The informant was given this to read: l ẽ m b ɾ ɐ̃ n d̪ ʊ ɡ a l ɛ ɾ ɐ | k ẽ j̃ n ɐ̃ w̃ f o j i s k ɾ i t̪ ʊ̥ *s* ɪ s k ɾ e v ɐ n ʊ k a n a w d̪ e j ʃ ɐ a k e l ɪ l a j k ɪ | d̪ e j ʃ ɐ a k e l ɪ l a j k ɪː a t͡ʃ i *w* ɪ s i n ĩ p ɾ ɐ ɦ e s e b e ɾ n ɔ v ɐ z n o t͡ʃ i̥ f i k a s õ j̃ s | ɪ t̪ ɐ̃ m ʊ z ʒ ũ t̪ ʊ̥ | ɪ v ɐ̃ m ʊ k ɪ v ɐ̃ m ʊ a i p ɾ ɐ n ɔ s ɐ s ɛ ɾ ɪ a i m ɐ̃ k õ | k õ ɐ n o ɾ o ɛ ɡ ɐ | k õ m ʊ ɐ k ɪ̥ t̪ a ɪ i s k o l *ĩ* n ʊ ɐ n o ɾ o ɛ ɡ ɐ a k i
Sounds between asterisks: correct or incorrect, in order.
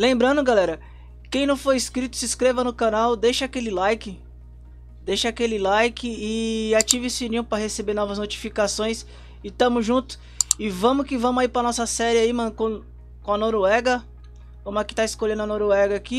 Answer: correct, incorrect, incorrect

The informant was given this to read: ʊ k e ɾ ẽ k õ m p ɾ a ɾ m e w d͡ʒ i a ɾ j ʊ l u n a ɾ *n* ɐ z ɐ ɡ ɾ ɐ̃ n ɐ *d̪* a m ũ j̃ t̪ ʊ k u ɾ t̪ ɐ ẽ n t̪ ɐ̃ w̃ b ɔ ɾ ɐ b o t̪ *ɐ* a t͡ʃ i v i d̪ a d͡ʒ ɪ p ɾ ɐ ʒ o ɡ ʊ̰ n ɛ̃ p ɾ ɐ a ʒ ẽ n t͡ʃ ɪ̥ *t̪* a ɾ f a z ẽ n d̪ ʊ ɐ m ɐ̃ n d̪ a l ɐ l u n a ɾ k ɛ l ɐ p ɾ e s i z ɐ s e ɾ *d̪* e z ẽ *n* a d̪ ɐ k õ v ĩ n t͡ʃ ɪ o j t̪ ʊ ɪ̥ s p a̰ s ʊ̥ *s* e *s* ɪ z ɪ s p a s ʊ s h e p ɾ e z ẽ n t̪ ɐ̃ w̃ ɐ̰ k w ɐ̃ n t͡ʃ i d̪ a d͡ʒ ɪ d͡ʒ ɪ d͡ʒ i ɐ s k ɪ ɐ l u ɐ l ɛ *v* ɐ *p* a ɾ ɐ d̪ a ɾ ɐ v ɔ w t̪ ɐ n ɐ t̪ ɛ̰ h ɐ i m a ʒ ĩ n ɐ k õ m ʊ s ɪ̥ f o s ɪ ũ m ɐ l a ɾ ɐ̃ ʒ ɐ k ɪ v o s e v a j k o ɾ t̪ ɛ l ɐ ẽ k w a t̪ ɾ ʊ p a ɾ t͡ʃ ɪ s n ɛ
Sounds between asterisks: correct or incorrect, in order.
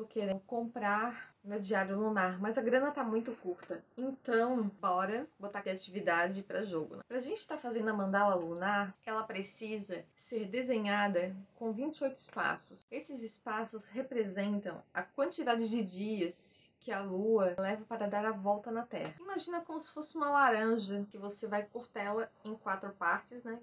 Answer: incorrect, incorrect, incorrect, correct, correct, incorrect, correct, correct, correct, correct

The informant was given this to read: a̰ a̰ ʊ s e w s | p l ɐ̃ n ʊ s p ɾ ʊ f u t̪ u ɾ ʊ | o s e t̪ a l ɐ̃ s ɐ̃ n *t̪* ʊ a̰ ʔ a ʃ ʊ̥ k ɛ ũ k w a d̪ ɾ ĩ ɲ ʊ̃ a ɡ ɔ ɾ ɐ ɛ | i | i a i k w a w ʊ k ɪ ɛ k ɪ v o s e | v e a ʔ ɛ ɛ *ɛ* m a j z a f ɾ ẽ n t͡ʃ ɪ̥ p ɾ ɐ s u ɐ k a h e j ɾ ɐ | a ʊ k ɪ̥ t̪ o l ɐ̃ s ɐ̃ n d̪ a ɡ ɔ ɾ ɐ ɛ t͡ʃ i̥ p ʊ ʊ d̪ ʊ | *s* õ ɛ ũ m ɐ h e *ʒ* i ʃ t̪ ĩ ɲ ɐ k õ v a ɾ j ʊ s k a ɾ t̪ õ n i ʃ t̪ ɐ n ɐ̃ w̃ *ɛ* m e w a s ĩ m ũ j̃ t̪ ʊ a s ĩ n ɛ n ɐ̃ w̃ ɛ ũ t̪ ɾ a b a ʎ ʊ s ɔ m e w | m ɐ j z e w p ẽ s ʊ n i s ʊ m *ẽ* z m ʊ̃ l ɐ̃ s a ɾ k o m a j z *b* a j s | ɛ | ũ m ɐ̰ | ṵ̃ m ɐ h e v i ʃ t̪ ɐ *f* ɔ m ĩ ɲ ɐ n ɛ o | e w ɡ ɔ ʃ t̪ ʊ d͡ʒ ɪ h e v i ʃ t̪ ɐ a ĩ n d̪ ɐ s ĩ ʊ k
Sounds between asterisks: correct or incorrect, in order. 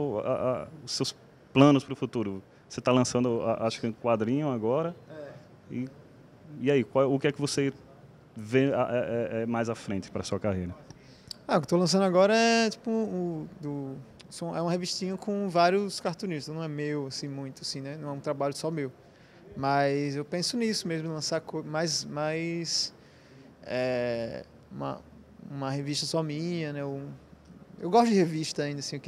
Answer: incorrect, correct, correct, incorrect, correct, incorrect, incorrect, incorrect

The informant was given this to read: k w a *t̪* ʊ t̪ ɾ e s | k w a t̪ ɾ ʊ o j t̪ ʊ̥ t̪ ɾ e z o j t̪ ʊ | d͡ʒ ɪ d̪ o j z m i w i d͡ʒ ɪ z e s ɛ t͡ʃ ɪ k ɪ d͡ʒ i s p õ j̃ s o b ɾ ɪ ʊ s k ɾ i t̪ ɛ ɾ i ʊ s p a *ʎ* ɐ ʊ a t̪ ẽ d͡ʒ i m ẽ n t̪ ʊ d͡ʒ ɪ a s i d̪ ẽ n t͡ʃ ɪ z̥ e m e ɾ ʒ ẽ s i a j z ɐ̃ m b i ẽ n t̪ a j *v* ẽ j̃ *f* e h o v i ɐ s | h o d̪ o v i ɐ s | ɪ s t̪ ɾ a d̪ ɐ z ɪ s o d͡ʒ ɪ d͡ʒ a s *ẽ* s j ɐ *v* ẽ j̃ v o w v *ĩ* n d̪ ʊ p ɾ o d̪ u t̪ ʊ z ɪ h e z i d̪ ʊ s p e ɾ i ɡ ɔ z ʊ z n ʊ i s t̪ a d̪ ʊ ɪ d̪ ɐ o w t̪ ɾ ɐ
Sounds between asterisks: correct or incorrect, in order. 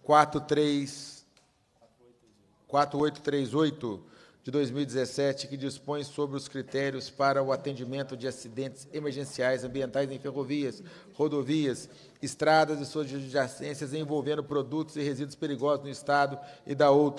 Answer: correct, incorrect, incorrect, correct, correct, incorrect, incorrect

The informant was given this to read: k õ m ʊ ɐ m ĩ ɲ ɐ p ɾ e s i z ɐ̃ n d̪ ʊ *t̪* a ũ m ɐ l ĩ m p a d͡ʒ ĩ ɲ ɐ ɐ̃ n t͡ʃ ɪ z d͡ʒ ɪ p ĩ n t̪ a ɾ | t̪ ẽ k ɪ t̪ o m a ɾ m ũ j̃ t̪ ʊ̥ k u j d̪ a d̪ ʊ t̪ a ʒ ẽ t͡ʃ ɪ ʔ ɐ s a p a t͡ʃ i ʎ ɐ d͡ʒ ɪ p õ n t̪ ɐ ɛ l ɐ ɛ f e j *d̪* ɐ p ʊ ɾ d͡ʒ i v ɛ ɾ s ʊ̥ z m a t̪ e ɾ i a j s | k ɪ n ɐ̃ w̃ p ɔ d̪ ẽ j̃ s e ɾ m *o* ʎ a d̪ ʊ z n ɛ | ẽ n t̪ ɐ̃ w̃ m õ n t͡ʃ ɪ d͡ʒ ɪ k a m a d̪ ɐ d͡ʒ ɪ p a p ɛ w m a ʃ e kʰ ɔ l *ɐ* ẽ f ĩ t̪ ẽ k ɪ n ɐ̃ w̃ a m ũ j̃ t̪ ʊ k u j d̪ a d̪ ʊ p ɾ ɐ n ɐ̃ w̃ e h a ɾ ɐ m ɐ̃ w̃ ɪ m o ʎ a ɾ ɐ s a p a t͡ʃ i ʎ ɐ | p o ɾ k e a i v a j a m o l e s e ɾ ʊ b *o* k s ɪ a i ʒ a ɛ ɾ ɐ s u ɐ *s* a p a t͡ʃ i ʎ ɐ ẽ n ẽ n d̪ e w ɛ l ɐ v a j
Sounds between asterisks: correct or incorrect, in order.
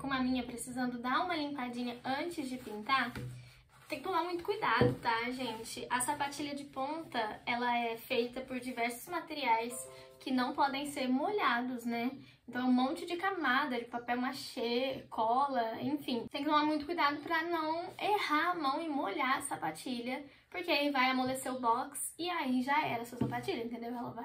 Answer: incorrect, incorrect, correct, correct, incorrect, correct

